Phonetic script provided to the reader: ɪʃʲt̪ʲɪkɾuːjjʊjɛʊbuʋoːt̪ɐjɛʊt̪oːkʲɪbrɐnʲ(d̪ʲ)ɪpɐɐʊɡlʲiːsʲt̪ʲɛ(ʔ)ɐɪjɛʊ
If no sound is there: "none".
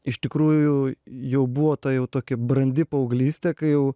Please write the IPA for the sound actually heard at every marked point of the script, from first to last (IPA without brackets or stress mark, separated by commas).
d̪ʲ, k